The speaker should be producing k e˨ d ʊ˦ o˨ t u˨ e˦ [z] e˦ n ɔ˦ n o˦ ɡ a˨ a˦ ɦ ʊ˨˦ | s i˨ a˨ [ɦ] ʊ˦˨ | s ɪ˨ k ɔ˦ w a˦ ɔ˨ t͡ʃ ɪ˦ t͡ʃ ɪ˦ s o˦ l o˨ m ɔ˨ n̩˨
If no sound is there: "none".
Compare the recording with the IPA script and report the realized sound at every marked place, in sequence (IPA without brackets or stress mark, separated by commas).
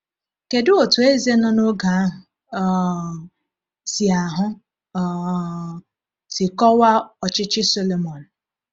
z, ɦ